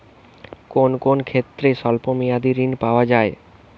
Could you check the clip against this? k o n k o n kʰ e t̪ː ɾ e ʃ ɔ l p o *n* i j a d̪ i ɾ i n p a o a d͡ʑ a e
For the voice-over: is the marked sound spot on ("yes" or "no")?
no